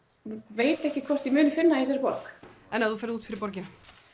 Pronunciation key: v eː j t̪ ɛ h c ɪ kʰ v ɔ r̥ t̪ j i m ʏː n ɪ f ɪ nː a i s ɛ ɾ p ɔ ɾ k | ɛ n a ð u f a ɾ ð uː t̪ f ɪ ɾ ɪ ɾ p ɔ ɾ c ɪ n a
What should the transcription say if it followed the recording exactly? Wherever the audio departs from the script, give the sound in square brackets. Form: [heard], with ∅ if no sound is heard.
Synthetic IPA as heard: v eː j t̪ ɛ h c ɪ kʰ v ɔ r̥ t̪ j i m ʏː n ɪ f ɪ nː a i s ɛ ɾ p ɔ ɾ k | ɛ n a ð u f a ɾ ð uː t̪ f ɪ ɾ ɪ ɾ p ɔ ɾ c ɪ n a